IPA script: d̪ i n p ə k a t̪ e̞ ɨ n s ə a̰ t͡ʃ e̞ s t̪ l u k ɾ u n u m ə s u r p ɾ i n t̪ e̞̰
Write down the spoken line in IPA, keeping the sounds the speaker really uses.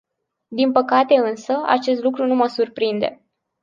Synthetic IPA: d̪ i n p ə k a t̪ e̞ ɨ n s ə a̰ t͡ʃ e̞ s t̪ l u k ɾ u n u m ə s u r p ɾ i n d̪ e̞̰